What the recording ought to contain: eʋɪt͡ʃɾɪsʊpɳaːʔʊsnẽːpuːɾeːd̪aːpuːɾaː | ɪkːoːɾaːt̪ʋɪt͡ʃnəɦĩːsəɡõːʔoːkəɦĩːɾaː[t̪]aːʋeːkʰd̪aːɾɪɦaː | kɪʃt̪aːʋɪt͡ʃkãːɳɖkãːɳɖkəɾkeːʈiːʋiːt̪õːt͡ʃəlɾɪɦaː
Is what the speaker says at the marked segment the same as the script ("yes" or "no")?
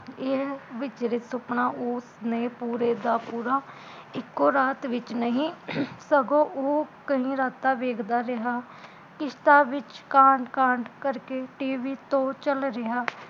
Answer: yes